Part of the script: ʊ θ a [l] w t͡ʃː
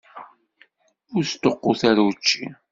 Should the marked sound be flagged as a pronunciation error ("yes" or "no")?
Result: yes